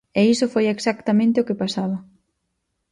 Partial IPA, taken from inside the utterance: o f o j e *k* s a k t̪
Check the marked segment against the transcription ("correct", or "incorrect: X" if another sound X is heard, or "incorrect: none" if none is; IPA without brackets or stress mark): correct